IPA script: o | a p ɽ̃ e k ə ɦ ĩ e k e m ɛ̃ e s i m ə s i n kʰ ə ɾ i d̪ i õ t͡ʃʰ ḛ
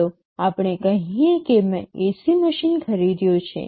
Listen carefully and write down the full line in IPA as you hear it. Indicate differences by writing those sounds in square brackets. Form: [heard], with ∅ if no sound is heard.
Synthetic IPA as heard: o | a p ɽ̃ e k ə ɦ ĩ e k e m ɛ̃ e s i m ə [ʃ] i n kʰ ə ɾ i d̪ [j] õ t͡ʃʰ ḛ